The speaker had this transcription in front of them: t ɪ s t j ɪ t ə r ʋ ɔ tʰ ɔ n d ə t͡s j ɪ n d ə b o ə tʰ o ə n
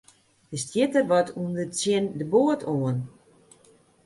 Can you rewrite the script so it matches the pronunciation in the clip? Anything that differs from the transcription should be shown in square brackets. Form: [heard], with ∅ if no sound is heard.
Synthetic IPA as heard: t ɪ s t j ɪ t ə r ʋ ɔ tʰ [u] n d ə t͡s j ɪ n d ə b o ə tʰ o ə n